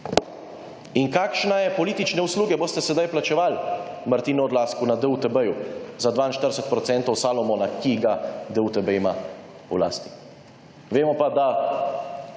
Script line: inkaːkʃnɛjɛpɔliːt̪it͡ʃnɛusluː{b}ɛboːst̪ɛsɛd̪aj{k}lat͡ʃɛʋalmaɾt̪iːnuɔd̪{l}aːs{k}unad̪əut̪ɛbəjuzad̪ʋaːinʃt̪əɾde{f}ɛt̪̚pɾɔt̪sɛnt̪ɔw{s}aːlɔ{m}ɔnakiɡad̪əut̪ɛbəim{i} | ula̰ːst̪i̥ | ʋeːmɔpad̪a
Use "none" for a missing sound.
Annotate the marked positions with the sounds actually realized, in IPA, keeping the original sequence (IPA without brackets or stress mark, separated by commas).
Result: ɡ, p, l, k, s, s, m, a